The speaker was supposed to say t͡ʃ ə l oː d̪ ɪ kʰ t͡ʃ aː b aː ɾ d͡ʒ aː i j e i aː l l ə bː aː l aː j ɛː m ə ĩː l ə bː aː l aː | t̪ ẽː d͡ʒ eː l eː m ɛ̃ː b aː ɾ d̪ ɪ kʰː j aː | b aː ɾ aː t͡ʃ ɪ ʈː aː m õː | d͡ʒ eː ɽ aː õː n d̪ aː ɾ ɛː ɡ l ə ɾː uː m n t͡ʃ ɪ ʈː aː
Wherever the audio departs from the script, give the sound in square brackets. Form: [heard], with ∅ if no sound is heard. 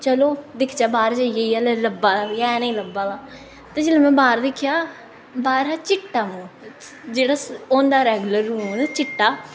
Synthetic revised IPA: t͡ʃ ə l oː d̪ ɪ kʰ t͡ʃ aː b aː ɾ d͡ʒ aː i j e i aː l l ə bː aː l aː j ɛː [n] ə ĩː l ə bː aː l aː | t̪ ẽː d͡ʒ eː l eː m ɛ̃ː b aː ɾ d̪ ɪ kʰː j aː | b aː ɾ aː t͡ʃ ɪ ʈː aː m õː | d͡ʒ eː ɽ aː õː n d̪ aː ɾ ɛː ɡ l ə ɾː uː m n t͡ʃ ɪ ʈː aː